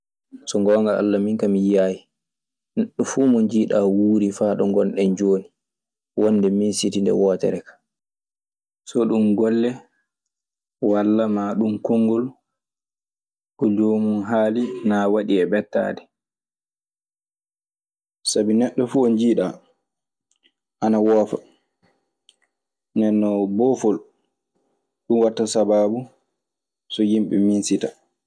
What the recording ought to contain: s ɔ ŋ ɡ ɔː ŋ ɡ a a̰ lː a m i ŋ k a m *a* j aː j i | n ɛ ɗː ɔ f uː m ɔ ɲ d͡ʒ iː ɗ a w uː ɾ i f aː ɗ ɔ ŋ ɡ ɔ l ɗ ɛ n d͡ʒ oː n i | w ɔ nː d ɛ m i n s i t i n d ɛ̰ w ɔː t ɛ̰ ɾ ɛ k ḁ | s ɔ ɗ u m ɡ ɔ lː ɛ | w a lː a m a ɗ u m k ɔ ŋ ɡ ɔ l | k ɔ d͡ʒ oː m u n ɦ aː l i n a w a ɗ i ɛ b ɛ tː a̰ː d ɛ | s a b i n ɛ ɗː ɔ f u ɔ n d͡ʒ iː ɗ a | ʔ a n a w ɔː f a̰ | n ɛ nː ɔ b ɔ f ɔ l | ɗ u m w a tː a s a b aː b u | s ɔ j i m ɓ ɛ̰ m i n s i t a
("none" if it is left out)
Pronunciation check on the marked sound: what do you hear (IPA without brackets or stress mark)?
i